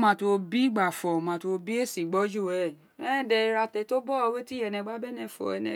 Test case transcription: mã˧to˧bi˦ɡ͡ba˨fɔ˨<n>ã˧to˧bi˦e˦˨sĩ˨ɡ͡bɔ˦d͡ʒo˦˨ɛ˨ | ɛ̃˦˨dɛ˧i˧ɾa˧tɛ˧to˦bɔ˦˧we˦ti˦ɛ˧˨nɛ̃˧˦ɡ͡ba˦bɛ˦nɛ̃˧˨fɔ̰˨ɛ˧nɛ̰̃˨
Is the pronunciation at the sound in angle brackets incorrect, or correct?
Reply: incorrect